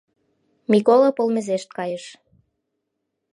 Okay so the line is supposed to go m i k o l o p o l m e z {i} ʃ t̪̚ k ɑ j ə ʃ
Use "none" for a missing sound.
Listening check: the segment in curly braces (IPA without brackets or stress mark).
e